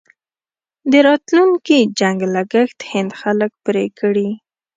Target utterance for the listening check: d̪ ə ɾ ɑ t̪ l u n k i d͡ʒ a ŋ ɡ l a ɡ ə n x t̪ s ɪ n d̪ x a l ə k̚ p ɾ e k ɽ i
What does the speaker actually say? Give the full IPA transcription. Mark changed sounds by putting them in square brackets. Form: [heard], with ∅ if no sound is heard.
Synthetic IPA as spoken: d̪ ə ɾ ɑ t̪ l u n k i d͡ʒ a ŋ ɡ l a ɡ ə [∅] x t̪ [h] ɪ n d̪ x a l ə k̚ p ɾ e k ɽ i